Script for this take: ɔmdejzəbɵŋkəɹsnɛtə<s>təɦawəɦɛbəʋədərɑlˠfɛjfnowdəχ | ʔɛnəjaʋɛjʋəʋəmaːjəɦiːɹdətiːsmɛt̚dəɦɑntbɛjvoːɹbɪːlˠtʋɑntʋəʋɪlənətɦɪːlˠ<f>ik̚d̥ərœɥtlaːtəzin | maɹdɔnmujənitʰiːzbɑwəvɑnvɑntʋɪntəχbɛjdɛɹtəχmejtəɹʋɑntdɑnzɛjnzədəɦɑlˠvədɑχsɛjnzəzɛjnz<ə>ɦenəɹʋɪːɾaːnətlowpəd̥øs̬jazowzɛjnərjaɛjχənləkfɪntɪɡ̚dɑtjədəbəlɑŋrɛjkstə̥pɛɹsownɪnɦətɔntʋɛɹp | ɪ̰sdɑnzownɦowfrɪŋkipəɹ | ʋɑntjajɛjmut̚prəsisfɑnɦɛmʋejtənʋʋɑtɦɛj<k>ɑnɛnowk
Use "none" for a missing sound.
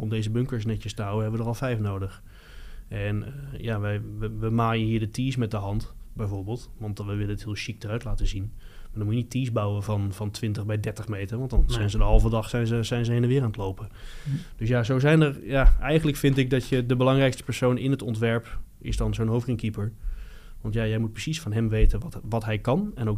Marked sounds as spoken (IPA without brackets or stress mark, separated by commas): s, ʃ, ə, k